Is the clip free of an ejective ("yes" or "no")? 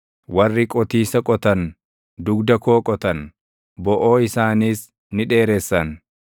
no